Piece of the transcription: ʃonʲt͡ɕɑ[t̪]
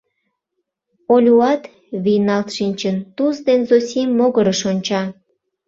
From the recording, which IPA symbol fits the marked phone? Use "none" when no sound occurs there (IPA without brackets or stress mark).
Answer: none